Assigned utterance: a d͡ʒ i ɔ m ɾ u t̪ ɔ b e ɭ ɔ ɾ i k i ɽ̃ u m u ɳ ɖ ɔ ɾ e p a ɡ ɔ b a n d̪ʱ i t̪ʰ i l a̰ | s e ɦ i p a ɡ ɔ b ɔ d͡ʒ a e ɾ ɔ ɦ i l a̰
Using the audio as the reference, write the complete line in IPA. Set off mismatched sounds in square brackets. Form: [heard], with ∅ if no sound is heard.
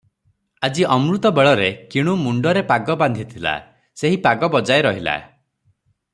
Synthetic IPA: a d͡ʒ i ɔ m ɾ u t̪ ɔ b e ɭ ɔ ɾ [e] k i ɽ̃ u m u ɳ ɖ ɔ ɾ e p a ɡ ɔ b a n d̪ʱ i t̪ʰ i l a̰ | s e ɦ i p a ɡ ɔ b ɔ d͡ʒ a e ɾ ɔ ɦ i l a̰